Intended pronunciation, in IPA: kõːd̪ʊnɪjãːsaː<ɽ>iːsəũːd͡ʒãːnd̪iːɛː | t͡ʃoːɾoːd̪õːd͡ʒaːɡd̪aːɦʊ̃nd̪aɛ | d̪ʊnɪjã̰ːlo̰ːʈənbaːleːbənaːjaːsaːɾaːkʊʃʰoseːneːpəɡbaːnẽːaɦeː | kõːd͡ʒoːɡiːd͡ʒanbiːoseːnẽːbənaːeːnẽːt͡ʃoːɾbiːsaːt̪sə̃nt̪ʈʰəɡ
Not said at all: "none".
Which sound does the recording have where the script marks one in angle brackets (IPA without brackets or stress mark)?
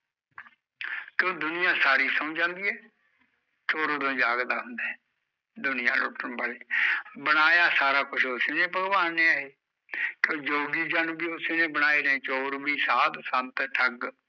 ɾ